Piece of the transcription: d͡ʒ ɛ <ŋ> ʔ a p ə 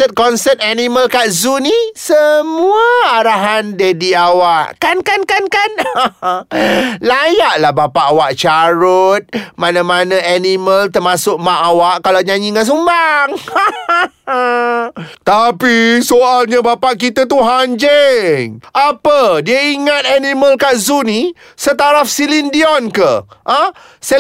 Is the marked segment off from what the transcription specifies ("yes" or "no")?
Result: no